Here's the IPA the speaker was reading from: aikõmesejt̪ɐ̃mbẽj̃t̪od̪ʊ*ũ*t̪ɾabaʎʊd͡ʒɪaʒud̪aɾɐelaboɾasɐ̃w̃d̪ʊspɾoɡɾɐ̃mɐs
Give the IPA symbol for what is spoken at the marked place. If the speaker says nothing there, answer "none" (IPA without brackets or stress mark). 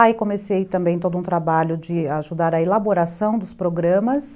ũ